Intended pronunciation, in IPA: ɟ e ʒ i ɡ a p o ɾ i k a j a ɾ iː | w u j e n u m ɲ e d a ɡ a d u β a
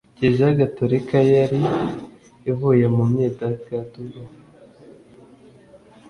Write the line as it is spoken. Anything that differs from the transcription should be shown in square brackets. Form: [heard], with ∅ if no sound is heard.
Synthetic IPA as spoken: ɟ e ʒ [a] ɡ a [t] o ɾ i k a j a ɾ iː | [v] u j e [m] u m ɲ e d a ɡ a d u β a